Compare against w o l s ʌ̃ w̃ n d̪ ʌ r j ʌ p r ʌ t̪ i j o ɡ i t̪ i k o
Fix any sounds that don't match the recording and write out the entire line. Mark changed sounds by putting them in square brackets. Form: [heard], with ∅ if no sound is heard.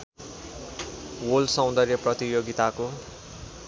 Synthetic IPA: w o l s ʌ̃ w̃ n d̪ ʌ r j ʌ p r ʌ t̪ i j o ɡ i t̪ [a] k o